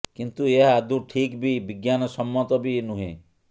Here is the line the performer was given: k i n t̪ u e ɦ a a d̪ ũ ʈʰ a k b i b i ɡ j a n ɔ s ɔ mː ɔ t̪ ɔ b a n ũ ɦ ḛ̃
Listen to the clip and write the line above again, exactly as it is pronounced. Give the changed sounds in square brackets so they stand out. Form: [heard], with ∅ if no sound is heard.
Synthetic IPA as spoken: k i n t̪ u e ɦ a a d̪ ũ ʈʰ [i] k b i b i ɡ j a n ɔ s ɔ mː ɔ t̪ ɔ b [i] n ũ ɦ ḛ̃